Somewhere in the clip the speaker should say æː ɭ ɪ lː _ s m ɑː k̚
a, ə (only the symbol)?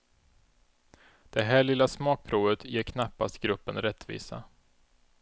a